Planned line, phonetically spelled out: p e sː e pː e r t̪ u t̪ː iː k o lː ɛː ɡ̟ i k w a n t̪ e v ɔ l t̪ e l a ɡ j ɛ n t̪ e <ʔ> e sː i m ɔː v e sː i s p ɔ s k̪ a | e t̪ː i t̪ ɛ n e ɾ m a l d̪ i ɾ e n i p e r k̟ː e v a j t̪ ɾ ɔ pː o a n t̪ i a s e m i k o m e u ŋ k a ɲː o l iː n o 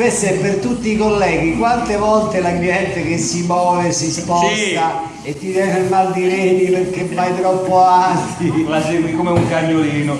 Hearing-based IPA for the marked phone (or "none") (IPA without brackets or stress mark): k